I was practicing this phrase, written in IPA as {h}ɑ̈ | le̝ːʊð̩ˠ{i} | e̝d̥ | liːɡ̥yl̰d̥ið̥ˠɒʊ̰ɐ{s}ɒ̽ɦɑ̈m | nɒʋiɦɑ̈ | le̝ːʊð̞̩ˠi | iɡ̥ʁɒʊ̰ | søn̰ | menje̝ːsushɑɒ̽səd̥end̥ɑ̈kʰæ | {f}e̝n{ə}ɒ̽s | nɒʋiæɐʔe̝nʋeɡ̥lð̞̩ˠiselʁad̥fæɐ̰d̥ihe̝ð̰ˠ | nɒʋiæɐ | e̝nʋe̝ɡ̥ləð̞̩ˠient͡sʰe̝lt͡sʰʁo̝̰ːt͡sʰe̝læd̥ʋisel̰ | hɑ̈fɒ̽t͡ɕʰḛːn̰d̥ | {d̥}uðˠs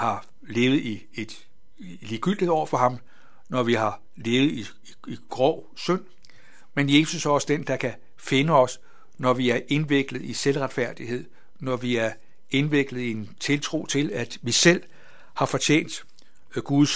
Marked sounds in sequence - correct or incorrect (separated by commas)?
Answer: correct, correct, incorrect, correct, correct, incorrect